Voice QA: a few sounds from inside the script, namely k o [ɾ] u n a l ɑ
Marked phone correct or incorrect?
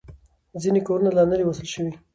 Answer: correct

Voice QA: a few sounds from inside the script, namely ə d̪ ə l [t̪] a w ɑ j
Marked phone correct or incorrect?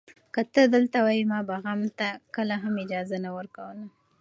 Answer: correct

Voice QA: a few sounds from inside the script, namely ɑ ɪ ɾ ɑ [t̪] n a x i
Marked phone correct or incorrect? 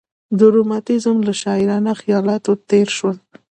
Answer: incorrect: none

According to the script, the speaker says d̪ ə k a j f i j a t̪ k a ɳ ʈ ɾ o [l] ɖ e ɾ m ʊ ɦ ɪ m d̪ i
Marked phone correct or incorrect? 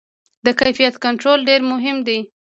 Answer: correct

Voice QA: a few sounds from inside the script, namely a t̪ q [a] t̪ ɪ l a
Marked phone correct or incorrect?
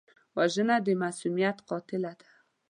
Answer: incorrect: ɑ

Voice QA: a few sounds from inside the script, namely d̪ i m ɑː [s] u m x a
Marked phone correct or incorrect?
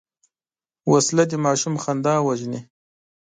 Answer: incorrect: ʃ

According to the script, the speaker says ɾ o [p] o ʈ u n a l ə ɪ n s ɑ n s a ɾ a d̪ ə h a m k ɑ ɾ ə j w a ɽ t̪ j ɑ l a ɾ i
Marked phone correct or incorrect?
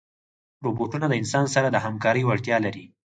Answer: incorrect: b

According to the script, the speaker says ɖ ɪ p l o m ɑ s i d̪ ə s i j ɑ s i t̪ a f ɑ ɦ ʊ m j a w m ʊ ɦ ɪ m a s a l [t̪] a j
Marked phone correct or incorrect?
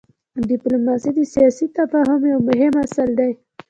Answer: incorrect: d̪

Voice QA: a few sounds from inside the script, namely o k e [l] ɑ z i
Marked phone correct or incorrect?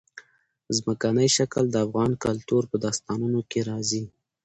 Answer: incorrect: ɾ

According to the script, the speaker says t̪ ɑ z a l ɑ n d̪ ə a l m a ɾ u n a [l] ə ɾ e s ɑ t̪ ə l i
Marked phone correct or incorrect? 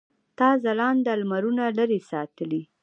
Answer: correct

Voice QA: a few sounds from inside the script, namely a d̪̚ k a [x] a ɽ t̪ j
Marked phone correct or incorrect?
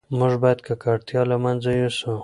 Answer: incorrect: k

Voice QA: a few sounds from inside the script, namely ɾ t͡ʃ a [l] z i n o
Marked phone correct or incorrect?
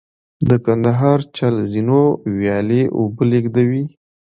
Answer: correct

